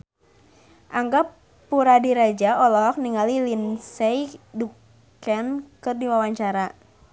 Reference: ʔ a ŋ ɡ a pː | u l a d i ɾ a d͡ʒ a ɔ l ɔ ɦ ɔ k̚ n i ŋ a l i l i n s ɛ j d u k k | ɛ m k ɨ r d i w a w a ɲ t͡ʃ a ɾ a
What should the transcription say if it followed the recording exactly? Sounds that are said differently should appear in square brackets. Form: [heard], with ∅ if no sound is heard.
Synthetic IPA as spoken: ʔ a ŋ ɡ a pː | u [ɾ] a d i ɾ a d͡ʒ a ɔ l ɔ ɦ ɔ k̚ n i ŋ a l i l i n s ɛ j d u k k | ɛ [n] k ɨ r d i w a w a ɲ t͡ʃ a ɾ a